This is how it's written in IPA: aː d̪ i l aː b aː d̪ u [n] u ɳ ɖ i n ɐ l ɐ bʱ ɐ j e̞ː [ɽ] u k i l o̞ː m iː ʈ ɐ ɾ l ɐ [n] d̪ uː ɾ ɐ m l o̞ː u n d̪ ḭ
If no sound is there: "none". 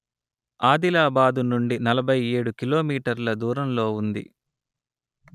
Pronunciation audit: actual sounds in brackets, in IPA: n, ɽ, none

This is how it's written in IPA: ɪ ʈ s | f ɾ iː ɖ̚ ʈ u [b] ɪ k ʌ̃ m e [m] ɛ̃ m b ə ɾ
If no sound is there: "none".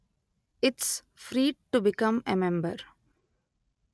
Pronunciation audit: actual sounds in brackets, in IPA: b, m

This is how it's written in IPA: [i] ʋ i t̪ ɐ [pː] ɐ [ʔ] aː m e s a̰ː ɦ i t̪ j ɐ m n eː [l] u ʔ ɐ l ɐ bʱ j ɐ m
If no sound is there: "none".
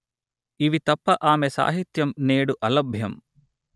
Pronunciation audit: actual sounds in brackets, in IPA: i, pː, ʔ, ɽ

